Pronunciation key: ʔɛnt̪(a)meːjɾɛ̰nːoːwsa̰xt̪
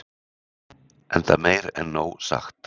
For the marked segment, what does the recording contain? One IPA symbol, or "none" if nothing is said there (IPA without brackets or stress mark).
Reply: a